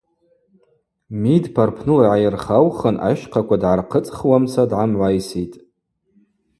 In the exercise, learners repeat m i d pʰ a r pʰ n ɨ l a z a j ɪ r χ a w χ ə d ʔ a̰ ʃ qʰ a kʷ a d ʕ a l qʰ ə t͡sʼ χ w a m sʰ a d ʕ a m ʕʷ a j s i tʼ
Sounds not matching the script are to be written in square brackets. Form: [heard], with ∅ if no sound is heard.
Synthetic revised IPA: m i d pʰ a r pʰ n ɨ l a [ʕ] a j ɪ r χ a w χ ə [n] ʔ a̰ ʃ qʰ a kʷ a d ʕ a [r] qʰ ə t͡sʼ χ w a m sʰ a d ʕ a m ʕʷ a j s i tʼ